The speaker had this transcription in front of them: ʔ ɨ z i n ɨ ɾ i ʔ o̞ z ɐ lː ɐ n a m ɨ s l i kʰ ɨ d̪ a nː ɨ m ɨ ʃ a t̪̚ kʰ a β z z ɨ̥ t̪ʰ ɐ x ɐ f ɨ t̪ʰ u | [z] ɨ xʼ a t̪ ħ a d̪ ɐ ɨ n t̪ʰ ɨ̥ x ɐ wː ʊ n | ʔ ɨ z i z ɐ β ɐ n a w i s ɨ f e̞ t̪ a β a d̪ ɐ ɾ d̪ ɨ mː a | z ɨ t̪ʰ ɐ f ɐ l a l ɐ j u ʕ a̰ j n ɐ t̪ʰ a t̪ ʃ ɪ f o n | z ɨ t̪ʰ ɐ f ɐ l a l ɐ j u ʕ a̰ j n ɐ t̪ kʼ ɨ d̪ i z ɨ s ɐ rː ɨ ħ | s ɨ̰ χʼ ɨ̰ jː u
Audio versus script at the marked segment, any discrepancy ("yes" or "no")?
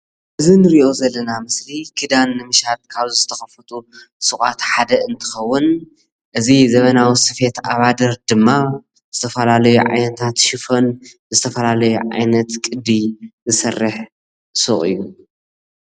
yes